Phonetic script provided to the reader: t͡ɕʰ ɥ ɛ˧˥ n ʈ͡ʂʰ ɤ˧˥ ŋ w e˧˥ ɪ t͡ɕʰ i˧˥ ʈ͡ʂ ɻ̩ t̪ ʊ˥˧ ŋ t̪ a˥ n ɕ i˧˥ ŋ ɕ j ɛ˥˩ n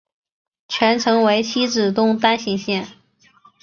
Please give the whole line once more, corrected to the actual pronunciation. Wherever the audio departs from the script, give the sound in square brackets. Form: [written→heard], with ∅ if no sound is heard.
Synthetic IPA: t͡ɕʰ ɥ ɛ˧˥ n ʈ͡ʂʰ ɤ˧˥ ŋ w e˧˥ ɪ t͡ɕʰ [i˧˥→i˥] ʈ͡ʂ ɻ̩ t̪ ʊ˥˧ ŋ t̪ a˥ n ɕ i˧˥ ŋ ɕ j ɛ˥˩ n

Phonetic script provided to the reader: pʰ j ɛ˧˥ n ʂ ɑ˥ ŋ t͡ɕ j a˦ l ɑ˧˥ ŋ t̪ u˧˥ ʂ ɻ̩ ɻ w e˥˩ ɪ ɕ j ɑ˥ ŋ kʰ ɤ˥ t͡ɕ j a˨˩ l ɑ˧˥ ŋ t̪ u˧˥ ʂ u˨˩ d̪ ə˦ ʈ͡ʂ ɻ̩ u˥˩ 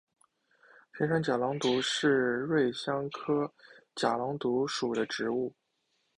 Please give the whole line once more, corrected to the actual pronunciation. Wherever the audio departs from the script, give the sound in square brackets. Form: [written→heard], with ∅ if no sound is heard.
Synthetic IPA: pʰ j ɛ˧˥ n ʂ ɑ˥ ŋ t͡ɕ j [a˦→a˨˩] l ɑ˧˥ ŋ t̪ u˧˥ ʂ ɻ̩ ɻ w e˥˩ ɪ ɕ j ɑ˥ ŋ kʰ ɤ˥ t͡ɕ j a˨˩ l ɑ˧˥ ŋ t̪ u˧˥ ʂ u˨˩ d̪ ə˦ ʈ͡ʂ ɻ̩ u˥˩

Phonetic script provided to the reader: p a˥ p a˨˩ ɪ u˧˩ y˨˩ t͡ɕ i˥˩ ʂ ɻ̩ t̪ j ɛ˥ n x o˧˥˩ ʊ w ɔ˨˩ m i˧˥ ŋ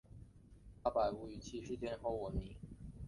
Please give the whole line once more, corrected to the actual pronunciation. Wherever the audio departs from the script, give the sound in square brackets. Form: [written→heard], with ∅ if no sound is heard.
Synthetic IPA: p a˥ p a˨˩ ɪ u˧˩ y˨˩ [t͡ɕ→t͡ɕʰ] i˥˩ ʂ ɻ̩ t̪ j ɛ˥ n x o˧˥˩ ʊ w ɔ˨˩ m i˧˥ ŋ

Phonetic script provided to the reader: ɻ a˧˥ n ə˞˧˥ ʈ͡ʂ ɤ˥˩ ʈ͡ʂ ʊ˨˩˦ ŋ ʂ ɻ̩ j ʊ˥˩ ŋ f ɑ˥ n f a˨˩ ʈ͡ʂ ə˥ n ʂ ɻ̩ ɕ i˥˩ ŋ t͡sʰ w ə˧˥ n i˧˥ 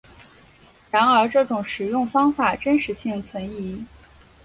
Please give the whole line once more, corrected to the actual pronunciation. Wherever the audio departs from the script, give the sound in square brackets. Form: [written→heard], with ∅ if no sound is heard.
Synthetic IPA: ɻ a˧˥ n ə˞˧˥ ʈ͡ʂ ɤ˥˩ ʈ͡ʂ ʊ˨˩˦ ŋ ʂ ɻ̩ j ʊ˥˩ ŋ f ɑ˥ [n→ŋ] f a˨˩ ʈ͡ʂ ə˥ n ʂ ɻ̩ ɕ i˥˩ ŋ t͡sʰ w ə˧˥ n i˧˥

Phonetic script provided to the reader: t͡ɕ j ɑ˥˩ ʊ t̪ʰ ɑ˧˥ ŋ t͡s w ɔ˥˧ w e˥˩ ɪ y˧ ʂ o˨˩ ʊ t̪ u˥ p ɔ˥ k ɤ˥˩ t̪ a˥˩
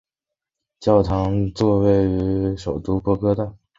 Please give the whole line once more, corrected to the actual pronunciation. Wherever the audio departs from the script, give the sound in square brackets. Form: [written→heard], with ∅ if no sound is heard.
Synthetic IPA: t͡ɕ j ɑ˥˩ ʊ t̪ʰ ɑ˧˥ ŋ t͡s w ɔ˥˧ w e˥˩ ɪ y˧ ʂ o˨˩ ʊ t̪ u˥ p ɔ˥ k [ɤ˥˩→ɤ˥] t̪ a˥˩

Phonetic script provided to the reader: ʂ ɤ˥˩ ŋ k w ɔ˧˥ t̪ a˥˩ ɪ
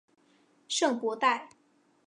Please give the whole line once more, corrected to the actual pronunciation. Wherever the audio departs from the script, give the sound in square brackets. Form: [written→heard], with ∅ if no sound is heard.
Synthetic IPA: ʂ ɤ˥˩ ŋ [k→p] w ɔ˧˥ t̪ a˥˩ ɪ

